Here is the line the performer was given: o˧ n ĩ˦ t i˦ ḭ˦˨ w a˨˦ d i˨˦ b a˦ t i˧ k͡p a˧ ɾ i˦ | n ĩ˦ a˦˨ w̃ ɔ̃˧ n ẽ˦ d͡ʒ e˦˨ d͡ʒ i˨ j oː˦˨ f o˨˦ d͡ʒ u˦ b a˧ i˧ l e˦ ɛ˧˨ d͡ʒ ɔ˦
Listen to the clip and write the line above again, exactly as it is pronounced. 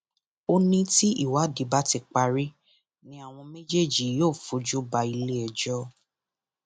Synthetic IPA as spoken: o˧ n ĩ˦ t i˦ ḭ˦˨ w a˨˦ d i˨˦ b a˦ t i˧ k͡p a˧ ɾ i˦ | n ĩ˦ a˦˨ w̃ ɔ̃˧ m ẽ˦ d͡ʒ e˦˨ d͡ʒ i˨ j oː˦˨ f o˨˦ d͡ʒ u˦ b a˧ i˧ l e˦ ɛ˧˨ d͡ʒ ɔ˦

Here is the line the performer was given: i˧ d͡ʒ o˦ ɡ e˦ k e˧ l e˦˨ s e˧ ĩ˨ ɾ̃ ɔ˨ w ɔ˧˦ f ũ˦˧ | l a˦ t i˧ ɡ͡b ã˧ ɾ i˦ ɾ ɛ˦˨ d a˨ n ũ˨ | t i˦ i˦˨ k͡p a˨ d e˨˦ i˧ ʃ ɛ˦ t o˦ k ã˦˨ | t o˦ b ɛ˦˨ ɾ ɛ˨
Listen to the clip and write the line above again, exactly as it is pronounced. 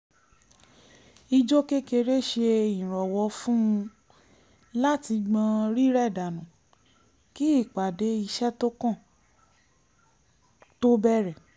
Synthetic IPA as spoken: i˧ d͡ʒ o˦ k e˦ k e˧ ɾ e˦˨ ʃ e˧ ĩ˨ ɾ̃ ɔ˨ w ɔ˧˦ f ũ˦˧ | l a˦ t i˧ ɡ͡b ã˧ ɾ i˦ ɾ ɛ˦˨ d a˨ n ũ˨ | k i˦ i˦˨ k͡p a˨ d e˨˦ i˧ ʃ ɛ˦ t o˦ k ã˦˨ | t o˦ b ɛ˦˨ ɾ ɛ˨

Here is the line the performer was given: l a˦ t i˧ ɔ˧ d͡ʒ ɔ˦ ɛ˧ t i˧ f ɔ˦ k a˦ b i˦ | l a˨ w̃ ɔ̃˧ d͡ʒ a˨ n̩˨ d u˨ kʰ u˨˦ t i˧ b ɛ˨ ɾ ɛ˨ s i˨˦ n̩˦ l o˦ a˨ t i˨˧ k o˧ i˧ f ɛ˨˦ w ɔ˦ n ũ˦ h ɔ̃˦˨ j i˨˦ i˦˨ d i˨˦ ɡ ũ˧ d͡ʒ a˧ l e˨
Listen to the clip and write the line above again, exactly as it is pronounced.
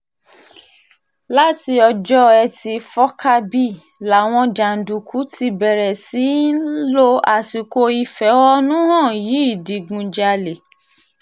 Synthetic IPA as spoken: l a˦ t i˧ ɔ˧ d͡ʒ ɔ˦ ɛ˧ t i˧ f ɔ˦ k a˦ b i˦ | l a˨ w̃ ɔ̃˧ d͡ʒ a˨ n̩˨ d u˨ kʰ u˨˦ t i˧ b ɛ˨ ɾ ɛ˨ s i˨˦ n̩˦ l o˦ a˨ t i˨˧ k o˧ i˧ f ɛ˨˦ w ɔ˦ n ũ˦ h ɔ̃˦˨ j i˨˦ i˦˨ d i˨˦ ɡ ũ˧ d͡ʒ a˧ l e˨

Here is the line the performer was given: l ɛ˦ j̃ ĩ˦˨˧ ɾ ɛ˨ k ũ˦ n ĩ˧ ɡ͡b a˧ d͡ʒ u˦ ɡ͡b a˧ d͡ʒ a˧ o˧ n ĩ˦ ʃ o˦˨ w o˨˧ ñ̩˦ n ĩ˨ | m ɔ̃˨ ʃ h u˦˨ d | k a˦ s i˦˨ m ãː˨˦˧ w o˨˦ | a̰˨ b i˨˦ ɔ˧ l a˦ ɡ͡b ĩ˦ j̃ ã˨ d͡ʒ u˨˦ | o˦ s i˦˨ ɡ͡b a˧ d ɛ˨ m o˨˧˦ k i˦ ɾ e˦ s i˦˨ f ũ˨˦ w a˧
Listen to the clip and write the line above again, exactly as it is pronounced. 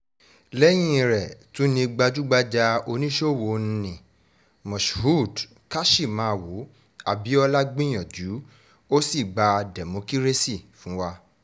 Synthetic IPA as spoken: l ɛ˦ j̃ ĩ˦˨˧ ɾ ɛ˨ t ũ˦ n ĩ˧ ɡ͡b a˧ d͡ʒ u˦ ɡ͡b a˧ d͡ʒ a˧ o˧ n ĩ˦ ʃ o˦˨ w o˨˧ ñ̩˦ n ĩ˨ | m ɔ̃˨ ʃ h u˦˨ d | k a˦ ʃ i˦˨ m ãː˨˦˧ w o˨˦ | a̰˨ b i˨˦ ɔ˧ l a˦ ɡ͡b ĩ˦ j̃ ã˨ d͡ʒ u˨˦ | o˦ s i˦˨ ɡ͡b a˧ d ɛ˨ m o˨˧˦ k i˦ ɾ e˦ s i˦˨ f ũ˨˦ w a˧

